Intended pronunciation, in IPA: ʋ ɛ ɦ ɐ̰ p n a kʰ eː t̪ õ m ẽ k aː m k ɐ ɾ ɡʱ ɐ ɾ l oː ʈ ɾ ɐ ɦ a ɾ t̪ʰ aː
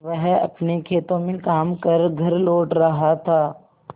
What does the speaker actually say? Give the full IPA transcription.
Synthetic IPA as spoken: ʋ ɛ ɦ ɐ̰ p n e kʰ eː t̪ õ m ẽ k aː m k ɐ ɾ ɡʱ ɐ ɾ l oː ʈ ɾ ɐ ɦ a t̪ʰ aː